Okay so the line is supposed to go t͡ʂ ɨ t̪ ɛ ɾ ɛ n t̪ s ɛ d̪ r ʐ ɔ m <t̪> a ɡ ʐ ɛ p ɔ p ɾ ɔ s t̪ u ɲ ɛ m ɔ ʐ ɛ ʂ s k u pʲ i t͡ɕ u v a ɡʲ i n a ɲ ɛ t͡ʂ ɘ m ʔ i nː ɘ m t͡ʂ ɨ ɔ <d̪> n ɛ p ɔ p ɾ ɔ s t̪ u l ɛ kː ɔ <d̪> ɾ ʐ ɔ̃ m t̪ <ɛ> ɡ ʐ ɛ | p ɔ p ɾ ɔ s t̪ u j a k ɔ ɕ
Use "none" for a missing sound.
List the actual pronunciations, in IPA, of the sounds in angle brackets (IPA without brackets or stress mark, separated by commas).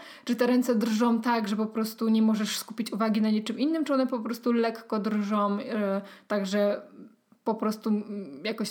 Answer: t̪, none, d̪, a